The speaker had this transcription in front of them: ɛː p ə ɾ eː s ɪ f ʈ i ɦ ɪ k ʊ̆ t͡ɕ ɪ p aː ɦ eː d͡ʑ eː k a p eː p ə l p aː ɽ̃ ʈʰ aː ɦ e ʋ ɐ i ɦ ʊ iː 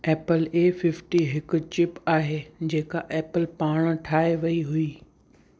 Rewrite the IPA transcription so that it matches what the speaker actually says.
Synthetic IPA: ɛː p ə l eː f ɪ f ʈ i ɦ ɪ k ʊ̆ t͡ɕ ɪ p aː ɦ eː d͡ʑ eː k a ʔ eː p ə l p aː ɽ̃ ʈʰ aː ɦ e ʋ ɐ i ɦ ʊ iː

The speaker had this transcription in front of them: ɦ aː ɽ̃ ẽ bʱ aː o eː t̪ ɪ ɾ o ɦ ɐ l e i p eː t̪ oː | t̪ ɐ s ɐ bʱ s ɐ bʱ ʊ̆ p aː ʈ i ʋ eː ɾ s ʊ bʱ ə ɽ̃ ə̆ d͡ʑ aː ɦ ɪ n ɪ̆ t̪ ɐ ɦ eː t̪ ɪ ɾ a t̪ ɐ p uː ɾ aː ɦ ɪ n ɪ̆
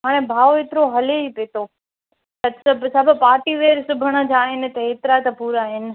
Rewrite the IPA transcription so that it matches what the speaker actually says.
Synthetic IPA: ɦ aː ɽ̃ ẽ bʱ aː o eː t̪ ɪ ɾ o ɦ ɐ l e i p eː t̪ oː | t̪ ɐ s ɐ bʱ s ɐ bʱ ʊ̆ p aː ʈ i ʋ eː ɾ s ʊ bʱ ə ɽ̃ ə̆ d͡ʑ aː ɦ ɪ n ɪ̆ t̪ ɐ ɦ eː t̪ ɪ ɾ a t̪ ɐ p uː ɾ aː ɦ ɪ n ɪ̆

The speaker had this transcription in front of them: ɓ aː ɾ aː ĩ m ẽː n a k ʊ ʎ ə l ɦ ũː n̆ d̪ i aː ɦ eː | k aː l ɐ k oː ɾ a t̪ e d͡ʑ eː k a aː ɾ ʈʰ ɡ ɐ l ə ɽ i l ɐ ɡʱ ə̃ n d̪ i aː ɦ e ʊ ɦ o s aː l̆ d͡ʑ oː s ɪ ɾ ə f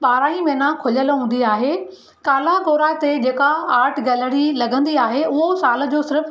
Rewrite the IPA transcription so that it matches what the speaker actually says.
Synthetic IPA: ɓ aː ɾ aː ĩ m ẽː n a kʰ ʊ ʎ ə l ɦ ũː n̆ d̪ i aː ɦ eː | k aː l a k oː ɾ a t̪ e d͡ʑ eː k a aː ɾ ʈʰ ɡ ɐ l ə ɽ i l ɐ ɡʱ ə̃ n d̪ i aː ɦ e ʊ ɦ o s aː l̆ d͡ʑ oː s ɪ ɾ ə f

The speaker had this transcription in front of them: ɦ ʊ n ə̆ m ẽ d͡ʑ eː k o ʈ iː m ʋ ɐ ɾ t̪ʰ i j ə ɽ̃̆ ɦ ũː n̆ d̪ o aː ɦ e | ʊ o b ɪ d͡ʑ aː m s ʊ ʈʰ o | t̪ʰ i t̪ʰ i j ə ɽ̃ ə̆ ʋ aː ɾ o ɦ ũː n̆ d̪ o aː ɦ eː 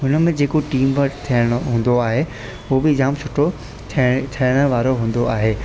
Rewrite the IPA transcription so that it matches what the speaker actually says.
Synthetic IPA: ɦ ʊ n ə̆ m ẽ d͡ʑ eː k o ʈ iː m ʋ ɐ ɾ t̪ʰ i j ə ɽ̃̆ ɦ ũː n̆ d̪ o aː ɦ e | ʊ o b ɪ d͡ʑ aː m s ʊ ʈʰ o | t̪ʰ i t̪ʰ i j ə ɽ̃ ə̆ ʋ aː ɾ o ɦ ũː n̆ d̪ o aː ɦ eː

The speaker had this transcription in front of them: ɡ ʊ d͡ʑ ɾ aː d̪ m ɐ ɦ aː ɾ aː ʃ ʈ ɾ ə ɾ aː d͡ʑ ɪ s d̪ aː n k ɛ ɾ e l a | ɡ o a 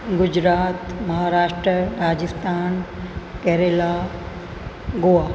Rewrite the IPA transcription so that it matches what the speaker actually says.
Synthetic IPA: ɡ ʊ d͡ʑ ɾ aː t̪ m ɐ ɦ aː ɾ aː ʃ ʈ ɾ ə ɾ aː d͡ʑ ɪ s t̪ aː n k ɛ ɾ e l a | ɡ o a

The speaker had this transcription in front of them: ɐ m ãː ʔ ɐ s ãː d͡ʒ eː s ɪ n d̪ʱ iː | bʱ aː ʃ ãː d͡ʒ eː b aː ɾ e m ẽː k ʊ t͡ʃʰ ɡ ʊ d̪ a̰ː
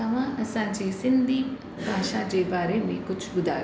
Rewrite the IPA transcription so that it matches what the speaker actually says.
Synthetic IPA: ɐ m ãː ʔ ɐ s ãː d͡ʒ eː s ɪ n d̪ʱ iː | bʱ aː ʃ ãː d͡ʒ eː b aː ɾ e m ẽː k ʊ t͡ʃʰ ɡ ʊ d̪ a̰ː

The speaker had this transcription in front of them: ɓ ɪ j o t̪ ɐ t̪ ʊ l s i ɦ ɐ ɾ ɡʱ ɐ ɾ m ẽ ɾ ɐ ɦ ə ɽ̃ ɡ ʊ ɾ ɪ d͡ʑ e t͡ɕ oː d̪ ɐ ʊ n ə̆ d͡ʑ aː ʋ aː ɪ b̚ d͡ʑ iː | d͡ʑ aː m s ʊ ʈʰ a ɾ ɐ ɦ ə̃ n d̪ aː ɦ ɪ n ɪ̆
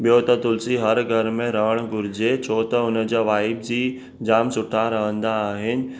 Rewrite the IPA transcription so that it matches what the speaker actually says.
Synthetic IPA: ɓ i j o t̪ ɐ t̪ ʊ l s i ɦ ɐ ɾ ɡʱ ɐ ɾ m ẽ ɾ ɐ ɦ ə ɽ̃ ɡ ʊ ɾ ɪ d͡ʑ e t͡ɕʰ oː t̪ ɐ ʊ n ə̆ d͡ʑ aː ʋ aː ɪ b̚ d͡ʑ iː | d͡ʑ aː m s ʊ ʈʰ a ɾ ɐ ɦ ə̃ n d̪ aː ɦ ɪ n ɪ̆

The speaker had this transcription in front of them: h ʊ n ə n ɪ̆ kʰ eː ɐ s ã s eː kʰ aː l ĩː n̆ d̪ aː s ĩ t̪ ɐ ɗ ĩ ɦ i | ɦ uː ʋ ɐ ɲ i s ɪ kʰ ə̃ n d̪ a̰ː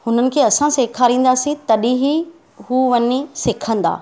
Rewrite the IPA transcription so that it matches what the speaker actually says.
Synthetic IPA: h ʊ n ə n ɪ̆ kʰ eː ɐ s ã s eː kʰ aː ɾ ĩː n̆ d̪ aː s ĩ t̪ ɐ ɗ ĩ ɦ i | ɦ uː ʋ ɐ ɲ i s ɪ kʰ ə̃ n d̪ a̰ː

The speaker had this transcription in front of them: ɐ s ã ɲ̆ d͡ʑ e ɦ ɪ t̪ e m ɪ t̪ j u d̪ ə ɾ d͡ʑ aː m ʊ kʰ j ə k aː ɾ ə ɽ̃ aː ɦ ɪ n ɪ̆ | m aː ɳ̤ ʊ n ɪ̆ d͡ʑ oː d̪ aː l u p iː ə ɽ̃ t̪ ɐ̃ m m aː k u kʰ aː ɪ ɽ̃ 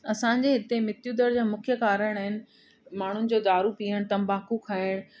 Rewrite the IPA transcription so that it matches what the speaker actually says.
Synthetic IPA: ɐ s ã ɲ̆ d͡ʑ e ɦ ɪ t̪ e m ɪ t̪ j u d̪ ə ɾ d͡ʑ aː m ʊ kʰ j ə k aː ɾ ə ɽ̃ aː ɦ ɪ n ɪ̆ | m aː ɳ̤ ʊ n ɪ̆ d͡ʑ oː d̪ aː ɾ u p iː ə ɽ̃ t̪ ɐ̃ m b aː k u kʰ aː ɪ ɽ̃

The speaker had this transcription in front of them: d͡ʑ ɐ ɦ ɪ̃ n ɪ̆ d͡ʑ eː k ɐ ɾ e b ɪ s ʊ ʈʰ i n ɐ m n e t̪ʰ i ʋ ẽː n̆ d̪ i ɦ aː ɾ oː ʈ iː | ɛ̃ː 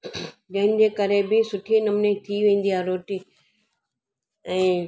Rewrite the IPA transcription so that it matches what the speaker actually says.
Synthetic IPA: d͡ʑ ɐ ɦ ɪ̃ n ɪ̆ d͡ʑ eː k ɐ ɾ e b ɪ s ʊ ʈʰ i n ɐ m n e t̪ʰ i ʋ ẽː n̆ d̪ i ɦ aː ɾ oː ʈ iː | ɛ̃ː

